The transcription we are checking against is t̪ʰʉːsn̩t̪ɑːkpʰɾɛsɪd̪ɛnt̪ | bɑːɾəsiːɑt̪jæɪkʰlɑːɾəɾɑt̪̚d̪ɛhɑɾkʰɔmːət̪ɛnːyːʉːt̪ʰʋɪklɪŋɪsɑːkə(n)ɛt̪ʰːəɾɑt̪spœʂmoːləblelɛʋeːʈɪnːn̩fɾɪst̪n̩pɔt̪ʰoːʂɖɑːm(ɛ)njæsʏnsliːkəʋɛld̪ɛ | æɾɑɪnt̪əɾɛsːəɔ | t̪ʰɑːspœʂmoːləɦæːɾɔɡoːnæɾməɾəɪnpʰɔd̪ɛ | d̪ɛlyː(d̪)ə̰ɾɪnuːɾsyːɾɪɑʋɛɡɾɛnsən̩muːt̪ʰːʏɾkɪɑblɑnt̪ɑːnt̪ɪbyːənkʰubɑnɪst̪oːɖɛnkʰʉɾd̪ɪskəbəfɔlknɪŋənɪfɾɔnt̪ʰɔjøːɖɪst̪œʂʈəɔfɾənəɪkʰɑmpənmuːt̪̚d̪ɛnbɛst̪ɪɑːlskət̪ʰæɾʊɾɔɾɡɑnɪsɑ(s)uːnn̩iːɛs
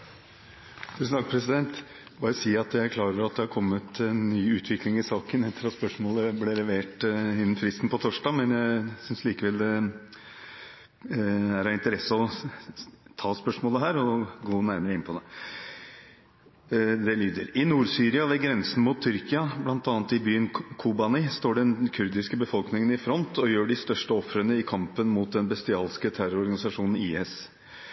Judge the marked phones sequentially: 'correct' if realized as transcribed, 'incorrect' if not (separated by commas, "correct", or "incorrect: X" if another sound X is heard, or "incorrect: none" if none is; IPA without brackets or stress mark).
correct, correct, correct, incorrect: ʂ